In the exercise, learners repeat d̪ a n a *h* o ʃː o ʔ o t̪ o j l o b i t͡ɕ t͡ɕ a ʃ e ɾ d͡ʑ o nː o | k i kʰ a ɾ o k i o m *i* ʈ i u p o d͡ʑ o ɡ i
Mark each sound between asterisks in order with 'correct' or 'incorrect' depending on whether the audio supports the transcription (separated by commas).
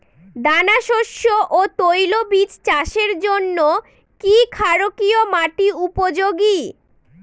incorrect, incorrect